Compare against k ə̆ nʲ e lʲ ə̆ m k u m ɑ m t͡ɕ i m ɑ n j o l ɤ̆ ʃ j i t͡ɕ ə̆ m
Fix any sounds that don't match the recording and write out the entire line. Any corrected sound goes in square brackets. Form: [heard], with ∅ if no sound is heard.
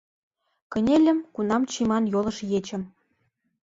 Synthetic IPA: k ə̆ nʲ e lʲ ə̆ m k u [n] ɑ m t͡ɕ i m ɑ n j o l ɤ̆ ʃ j [e] t͡ɕ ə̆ m